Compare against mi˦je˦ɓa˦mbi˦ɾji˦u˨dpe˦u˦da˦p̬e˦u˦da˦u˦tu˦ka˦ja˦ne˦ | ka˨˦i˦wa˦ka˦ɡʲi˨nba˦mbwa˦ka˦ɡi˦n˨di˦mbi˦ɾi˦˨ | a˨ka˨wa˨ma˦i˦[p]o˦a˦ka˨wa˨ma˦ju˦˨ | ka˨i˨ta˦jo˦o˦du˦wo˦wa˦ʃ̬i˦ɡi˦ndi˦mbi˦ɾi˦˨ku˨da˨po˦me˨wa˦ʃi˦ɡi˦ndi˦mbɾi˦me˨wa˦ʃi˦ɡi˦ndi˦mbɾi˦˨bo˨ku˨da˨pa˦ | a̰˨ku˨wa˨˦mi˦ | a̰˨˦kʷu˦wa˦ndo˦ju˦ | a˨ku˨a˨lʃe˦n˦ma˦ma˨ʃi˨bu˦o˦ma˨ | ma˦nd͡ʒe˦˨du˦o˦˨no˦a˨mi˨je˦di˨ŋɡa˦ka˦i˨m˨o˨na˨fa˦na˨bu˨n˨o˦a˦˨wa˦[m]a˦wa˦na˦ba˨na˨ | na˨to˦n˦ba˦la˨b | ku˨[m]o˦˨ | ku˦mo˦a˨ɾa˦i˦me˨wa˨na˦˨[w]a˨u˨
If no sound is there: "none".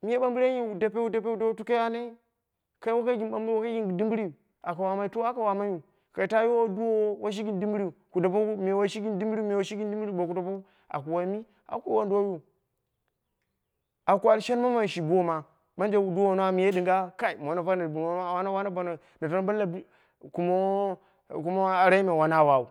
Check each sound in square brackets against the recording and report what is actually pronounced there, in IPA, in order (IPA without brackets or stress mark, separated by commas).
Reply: t, n, m, w